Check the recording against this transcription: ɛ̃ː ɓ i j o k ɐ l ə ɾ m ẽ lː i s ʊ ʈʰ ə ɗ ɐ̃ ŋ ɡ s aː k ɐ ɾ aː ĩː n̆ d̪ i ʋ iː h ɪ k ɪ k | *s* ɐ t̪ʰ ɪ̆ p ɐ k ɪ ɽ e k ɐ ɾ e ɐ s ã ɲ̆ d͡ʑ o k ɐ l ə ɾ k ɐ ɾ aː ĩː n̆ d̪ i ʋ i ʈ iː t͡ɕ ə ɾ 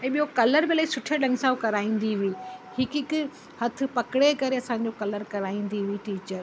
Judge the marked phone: incorrect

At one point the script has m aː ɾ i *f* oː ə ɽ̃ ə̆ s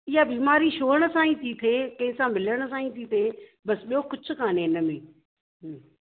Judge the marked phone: incorrect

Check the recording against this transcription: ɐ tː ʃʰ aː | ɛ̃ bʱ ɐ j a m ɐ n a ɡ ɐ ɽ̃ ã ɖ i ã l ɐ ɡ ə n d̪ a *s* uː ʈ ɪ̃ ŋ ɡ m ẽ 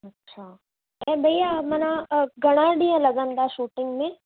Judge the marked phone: incorrect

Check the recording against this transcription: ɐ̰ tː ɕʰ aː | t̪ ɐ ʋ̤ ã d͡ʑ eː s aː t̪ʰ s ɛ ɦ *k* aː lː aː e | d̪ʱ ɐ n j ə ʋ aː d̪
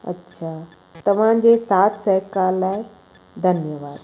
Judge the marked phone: correct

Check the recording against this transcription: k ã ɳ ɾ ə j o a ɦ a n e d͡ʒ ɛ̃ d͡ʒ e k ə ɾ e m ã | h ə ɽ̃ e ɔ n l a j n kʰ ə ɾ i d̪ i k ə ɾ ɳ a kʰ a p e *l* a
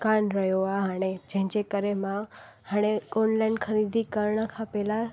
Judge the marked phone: correct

